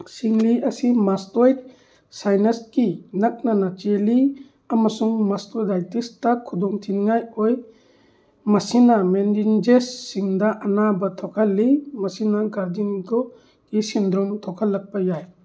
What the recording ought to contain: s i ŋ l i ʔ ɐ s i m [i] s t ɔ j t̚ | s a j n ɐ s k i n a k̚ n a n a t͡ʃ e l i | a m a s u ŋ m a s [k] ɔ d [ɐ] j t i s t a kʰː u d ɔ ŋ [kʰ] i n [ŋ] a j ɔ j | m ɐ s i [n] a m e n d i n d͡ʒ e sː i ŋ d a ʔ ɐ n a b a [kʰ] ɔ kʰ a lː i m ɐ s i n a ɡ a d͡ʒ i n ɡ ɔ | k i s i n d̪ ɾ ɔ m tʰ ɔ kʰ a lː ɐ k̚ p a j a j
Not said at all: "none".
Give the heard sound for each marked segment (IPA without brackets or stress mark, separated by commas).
a, t, a, tʰ, ŋ, n, tʰ